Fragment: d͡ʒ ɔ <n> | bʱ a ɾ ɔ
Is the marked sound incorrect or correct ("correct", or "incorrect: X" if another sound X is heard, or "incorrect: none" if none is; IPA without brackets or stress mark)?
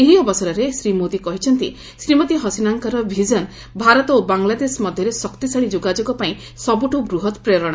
correct